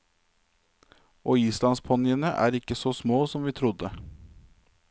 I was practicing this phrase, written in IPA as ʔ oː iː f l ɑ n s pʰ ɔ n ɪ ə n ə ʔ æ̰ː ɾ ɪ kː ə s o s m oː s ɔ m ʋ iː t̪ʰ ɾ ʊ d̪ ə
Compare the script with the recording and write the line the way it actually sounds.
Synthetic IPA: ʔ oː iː s l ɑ n s pʰ ɔ n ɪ ə n ə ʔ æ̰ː ɾ ɪ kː ə s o s m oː s ɔ m ʋ iː t̪ʰ ɾ ʊ d̪ ə